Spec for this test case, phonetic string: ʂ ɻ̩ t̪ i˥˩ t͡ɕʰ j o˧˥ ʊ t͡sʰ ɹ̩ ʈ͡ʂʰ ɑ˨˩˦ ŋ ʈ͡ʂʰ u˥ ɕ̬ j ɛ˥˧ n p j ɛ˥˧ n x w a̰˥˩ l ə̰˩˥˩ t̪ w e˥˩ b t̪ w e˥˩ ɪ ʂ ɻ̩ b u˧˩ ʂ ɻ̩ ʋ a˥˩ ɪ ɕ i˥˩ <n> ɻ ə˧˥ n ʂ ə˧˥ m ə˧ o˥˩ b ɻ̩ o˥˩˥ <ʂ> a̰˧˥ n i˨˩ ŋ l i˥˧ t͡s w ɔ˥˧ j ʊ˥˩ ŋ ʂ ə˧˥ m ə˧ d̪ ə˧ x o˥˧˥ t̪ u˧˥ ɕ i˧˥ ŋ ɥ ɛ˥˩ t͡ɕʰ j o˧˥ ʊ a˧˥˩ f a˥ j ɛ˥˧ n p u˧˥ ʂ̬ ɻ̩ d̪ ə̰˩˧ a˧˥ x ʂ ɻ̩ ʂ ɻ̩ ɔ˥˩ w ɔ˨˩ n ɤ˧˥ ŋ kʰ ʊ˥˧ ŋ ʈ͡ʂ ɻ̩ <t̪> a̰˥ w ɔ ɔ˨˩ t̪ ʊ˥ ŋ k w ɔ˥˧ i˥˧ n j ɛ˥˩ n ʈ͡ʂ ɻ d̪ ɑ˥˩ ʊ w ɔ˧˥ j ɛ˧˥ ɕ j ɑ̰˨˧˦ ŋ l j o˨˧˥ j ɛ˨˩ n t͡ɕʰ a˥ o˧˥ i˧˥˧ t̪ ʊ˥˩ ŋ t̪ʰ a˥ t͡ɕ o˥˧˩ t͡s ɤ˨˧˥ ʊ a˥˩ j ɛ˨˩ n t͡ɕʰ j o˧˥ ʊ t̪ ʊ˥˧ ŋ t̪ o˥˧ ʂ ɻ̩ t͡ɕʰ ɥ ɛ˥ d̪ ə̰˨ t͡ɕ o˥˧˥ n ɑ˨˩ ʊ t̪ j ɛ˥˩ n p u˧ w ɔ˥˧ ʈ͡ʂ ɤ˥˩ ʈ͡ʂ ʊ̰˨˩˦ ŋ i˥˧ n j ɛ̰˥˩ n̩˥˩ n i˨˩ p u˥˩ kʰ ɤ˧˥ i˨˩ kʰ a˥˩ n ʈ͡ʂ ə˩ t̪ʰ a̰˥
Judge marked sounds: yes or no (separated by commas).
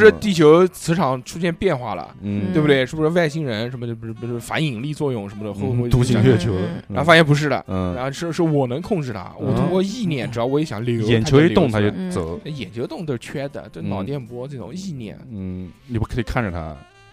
no, no, no